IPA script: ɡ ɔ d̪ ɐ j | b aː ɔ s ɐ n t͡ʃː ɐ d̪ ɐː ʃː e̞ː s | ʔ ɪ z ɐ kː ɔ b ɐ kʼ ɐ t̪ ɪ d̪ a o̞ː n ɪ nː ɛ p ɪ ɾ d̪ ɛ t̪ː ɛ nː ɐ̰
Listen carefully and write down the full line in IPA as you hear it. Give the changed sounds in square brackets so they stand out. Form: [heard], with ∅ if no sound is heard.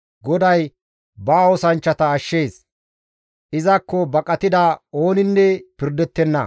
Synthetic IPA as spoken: ɡ ɔ d̪ ɐ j | b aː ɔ s ɐ n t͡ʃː ɐ [t̪] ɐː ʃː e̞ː s | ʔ ɪ z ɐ kː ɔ b ɐ kʼ ɐ t̪ ɪ d̪ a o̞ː n ɪ nː ɛ p ɪ ɾ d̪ ɛ t̪ː ɛ nː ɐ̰